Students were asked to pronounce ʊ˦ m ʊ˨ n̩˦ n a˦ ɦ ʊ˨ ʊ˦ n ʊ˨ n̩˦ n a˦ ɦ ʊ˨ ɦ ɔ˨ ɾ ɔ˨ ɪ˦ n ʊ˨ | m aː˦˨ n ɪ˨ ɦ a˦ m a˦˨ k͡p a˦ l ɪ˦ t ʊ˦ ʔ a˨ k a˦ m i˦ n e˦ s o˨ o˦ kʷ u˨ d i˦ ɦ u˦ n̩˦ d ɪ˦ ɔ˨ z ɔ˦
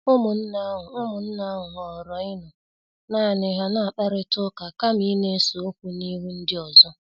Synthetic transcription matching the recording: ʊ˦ m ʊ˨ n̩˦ n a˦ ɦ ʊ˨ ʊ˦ m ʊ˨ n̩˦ n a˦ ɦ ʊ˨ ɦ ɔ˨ ɾ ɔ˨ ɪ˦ n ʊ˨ | n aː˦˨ n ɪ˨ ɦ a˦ n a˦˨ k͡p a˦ ɾ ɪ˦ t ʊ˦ k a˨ k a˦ m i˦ n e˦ s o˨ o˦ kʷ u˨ n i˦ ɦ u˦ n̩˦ d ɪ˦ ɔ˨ z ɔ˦